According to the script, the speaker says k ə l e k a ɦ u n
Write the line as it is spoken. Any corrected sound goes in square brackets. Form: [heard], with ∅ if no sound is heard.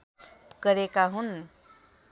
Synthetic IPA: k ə [ɾ] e k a ɦ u n